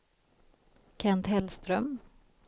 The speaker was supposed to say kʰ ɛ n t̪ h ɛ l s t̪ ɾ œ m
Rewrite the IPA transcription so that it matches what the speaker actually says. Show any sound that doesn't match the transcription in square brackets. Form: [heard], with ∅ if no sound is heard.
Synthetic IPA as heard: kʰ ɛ n t̪ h ɛ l s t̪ ɾ œ m